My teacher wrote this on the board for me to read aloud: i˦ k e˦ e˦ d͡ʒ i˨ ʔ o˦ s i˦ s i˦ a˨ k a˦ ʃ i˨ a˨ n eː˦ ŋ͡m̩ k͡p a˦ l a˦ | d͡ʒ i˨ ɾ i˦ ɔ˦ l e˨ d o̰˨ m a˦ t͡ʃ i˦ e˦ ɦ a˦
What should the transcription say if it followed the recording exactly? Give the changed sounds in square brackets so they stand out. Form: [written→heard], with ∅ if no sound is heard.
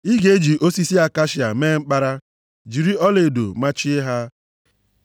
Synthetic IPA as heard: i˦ [k→ɡ] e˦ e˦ d͡ʒ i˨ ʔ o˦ s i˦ s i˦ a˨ k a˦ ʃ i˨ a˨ [n→m] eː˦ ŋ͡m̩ k͡p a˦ [l→ɾ] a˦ | d͡ʒ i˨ ɾ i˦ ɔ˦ l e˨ d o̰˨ m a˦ t͡ʃ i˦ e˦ ɦ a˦